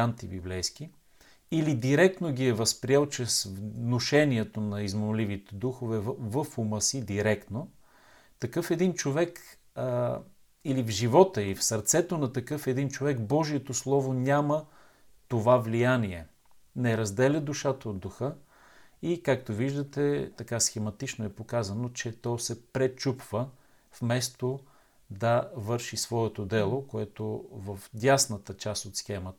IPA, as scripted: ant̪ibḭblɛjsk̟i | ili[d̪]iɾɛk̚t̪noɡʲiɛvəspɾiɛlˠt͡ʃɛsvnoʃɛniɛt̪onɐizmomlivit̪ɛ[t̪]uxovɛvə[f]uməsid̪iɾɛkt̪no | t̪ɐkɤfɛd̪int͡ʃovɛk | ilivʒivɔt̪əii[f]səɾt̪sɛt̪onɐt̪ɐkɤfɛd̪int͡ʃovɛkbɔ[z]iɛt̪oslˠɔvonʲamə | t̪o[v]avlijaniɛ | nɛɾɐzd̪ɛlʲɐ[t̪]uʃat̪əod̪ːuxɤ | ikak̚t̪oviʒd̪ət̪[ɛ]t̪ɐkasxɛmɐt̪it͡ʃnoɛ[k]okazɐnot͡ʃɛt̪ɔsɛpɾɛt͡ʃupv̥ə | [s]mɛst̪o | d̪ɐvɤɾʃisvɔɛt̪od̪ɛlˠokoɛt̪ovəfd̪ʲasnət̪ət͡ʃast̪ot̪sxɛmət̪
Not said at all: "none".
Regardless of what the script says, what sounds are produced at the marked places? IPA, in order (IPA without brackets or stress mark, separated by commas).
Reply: d̪, d̪, f, f, ʒ, v, d̪, ɛ, p, f